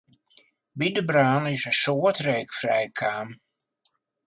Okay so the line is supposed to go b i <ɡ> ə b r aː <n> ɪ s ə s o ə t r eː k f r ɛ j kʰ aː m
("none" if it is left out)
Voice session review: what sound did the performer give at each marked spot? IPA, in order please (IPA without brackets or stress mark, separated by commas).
d, n